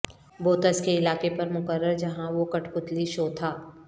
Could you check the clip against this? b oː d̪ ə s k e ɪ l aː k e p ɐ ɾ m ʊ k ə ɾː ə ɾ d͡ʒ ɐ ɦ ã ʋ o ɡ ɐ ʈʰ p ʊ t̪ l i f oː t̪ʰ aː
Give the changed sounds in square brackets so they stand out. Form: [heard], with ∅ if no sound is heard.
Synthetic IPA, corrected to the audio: b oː [t̪] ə s k e ɪ l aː k e p ɐ ɾ m ʊ k ə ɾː ə ɾ d͡ʒ ɐ ɦ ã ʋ o [k] ɐ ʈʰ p ʊ t̪ l i [ʃ] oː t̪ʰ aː